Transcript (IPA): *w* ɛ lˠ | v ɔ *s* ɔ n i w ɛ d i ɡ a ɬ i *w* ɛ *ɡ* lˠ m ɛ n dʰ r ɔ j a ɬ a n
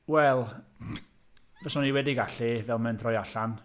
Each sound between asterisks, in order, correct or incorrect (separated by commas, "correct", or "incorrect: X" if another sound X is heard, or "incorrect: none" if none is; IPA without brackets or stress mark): correct, correct, incorrect: v, incorrect: none